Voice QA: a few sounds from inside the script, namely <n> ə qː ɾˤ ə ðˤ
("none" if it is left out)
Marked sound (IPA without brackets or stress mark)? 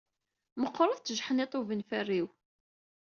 m